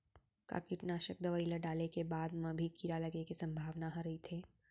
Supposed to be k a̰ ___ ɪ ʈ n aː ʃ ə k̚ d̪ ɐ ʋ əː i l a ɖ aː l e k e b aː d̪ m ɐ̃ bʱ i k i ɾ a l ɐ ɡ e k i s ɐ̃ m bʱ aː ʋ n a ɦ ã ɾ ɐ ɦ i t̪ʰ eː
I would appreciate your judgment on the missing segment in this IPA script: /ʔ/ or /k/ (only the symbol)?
k